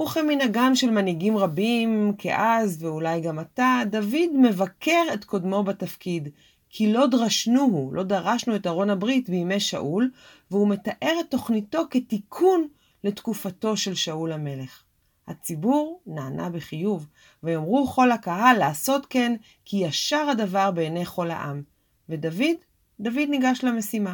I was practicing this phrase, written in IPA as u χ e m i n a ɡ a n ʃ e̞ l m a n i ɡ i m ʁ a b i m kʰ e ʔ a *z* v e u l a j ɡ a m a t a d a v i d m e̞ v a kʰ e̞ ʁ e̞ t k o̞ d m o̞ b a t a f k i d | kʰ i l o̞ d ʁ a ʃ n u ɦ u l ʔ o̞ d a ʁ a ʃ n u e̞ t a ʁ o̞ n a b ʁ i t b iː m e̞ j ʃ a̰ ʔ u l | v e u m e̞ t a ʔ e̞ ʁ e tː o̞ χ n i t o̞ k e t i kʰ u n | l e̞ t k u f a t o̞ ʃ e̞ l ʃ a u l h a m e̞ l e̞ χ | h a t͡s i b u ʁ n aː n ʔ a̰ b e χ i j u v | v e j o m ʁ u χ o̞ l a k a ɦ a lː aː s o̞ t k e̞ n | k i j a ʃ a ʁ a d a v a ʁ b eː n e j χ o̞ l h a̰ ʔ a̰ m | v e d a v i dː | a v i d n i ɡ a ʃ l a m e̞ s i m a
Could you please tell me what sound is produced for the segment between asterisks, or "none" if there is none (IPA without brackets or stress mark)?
z